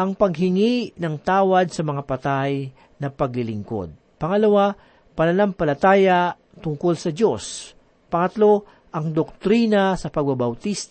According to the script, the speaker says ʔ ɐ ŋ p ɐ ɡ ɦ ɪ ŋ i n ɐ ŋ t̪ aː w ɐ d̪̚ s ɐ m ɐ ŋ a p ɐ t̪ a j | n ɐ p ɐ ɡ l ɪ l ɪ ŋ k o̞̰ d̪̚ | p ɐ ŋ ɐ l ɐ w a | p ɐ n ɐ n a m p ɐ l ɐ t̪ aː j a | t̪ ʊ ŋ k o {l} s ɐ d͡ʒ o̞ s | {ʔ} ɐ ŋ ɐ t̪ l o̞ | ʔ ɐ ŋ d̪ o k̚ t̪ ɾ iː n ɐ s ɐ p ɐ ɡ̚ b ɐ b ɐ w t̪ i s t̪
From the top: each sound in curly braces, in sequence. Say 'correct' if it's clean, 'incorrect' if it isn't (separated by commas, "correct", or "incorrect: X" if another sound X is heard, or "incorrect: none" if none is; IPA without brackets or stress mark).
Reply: correct, incorrect: p